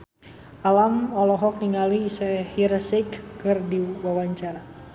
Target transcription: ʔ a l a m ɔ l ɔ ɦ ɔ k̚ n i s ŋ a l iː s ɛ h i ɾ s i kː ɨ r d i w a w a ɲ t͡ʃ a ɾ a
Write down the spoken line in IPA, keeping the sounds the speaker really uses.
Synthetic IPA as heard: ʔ a l a m ɔ l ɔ ɦ ɔ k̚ n i ŋ a l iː s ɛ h i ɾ s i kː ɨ r d i w a w a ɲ t͡ʃ a ɾ a